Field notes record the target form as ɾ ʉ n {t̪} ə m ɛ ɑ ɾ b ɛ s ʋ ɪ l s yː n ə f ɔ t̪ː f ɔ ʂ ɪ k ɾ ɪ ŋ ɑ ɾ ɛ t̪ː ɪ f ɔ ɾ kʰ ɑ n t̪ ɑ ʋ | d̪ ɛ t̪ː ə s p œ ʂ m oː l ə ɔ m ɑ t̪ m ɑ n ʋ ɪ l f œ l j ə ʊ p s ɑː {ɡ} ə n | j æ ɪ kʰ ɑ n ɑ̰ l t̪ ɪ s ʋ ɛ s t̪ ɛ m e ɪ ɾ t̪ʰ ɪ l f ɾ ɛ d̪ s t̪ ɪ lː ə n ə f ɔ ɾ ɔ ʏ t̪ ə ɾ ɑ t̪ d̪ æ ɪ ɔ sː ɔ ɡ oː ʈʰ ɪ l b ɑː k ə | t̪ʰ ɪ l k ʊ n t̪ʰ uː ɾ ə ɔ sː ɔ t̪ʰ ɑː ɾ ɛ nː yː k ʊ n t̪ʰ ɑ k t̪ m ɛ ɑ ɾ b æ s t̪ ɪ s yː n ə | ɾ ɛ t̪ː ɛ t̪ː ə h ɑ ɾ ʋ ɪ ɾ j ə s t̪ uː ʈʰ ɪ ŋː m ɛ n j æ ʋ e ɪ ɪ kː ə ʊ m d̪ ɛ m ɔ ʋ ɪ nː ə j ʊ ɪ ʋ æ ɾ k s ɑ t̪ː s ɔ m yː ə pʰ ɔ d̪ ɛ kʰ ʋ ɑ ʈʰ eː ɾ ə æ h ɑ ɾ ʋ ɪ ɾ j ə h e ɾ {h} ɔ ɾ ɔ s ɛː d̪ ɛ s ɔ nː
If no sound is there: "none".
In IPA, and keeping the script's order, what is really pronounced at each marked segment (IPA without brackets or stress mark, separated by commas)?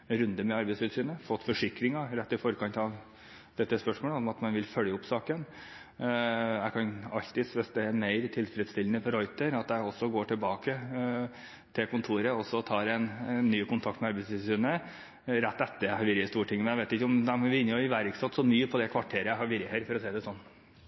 d̪, k, f